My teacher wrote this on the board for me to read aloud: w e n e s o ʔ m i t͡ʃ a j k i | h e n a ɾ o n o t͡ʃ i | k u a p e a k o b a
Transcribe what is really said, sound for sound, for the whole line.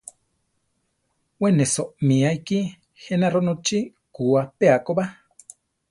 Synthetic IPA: w e n e s o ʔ m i a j k i | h e n a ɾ o n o t͡ʃ i | k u a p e a k o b a